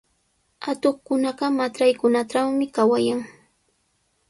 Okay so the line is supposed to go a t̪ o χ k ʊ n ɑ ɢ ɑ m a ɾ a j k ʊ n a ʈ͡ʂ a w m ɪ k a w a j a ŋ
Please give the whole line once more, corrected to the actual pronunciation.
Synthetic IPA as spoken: a t̪ o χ k ʊ n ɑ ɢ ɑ m a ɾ a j k ʊ n a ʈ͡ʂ a w m ɪ k a w a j a ŋ